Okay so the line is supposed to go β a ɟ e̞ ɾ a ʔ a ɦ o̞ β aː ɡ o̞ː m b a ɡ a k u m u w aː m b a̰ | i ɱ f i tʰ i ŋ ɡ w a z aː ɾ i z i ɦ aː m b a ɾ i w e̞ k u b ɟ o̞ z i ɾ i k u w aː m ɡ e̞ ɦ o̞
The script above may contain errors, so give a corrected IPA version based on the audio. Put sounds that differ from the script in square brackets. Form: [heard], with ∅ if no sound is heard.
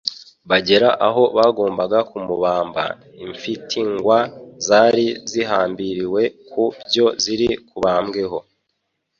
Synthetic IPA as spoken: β a ɟ e̞ ɾ a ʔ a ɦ o̞ β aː ɡ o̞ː m b a ɡ a k u m u [β] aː m b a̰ | i ɱ f i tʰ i ŋ ɡ w a z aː ɾ i z i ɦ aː m b [i] ɾ i w e̞ k u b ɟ o̞ z i ɾ i k u [β] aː m ɡ e̞ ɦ o̞